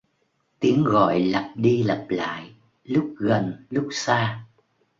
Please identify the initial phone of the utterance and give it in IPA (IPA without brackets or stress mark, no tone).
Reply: t̪